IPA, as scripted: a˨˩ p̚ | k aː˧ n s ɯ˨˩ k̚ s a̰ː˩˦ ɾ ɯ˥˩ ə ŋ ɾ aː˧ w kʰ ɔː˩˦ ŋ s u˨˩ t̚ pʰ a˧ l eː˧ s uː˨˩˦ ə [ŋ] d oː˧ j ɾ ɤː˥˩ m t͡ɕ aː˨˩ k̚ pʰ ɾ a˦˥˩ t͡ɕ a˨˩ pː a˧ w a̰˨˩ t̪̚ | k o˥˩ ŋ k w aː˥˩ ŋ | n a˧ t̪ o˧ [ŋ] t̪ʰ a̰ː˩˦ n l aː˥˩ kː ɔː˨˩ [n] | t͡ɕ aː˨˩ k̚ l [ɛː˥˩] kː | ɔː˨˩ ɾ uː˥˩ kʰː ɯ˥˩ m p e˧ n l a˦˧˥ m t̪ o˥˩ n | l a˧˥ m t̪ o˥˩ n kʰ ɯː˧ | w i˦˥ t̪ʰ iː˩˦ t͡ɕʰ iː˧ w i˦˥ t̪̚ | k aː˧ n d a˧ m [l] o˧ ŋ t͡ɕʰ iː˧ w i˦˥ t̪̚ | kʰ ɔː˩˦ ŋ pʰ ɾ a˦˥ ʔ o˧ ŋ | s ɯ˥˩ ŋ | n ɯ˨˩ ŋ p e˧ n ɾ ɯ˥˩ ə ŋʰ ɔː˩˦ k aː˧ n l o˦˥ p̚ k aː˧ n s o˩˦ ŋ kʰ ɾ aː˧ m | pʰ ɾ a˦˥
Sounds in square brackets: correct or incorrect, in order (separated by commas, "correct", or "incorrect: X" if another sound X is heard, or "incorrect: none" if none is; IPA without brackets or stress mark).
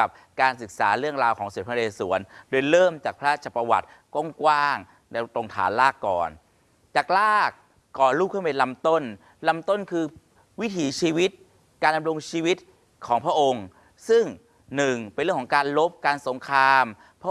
incorrect: n, correct, correct, incorrect: aː˥˩, incorrect: ɾ